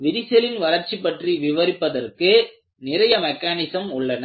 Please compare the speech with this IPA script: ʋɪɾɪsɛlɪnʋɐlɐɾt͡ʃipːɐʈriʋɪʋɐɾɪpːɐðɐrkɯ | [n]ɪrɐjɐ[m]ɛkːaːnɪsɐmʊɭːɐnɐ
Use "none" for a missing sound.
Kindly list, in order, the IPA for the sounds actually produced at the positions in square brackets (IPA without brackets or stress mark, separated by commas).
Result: n, m